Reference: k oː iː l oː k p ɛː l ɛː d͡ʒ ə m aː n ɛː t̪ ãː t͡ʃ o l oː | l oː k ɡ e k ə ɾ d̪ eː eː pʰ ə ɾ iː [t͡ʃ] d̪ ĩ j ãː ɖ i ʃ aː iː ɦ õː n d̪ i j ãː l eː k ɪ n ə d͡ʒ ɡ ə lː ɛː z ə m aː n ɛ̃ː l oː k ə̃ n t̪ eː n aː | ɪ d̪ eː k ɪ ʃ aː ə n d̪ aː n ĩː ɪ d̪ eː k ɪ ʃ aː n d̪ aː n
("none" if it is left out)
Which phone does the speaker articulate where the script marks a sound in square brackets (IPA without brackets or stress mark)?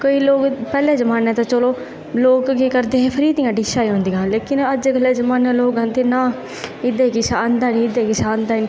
none